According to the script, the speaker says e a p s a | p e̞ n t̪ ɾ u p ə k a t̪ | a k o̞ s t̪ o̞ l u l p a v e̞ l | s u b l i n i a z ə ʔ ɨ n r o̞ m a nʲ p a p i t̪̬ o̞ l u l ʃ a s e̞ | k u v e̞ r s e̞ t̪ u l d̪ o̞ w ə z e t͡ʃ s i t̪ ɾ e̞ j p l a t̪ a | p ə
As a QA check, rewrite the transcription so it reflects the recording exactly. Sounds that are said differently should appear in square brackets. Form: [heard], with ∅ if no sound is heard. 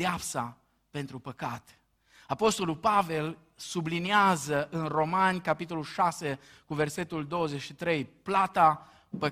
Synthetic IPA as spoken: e a p s a | p e̞ n t̪ ɾ u p ə k a t̪ | a [p] o̞ s t̪ o̞ l u l p a v e̞ l | s u b l i n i a z ə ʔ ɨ n r o̞ m a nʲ [k] a p i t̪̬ o̞ l u l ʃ a s e̞ | k u v e̞ r s e̞ t̪ u l d̪ o̞ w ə z e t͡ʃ [ʃ] i t̪ ɾ e̞ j p l a t̪ a | p ə